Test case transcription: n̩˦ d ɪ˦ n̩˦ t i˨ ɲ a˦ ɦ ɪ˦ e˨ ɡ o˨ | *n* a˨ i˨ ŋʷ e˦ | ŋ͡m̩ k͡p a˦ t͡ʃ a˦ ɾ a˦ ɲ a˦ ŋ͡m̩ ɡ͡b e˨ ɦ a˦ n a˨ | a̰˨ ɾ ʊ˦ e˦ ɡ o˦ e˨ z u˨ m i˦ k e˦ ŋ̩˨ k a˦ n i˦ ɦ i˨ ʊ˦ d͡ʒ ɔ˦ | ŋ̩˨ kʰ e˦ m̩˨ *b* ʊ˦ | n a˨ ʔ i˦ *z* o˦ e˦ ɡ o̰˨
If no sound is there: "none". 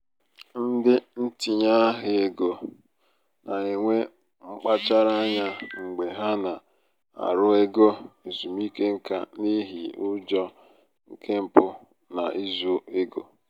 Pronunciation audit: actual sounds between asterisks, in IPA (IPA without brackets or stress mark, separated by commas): n, p, z